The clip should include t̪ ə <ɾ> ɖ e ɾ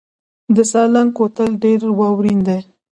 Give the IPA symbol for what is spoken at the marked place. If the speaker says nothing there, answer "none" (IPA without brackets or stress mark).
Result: l